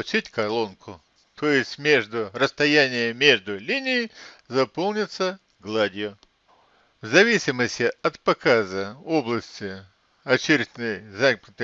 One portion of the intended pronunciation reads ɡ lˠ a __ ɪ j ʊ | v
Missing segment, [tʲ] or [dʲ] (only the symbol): dʲ